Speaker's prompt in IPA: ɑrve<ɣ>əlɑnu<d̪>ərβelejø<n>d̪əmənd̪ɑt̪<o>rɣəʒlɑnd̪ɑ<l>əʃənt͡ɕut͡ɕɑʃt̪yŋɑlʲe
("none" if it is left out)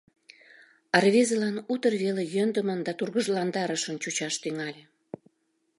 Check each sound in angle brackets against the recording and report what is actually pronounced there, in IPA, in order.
z, t̪, n, u, ɾ

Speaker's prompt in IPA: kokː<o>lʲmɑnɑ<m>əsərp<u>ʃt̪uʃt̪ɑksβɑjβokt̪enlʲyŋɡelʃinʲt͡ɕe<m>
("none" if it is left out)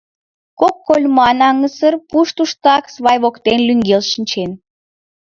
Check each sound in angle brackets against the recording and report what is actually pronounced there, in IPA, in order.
o, ŋ, u, n

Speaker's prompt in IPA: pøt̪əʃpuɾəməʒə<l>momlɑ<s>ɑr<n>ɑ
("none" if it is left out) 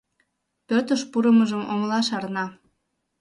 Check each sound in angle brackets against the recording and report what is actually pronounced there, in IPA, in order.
none, ʃ, n

